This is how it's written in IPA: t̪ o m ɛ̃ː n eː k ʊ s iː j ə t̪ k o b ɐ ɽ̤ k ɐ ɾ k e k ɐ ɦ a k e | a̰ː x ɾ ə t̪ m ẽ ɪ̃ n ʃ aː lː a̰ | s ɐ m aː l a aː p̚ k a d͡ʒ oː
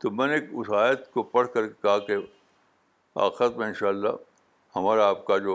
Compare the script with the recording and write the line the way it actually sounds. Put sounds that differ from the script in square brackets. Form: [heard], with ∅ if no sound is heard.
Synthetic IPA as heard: t̪ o m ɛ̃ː n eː k ʊ s [aː] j ə t̪ k o [p] ɐ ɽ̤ k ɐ ɾ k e k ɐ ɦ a k e | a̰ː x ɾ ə t̪ m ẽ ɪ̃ n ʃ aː lː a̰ | [h] ɐ m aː [ɾ] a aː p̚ k a d͡ʒ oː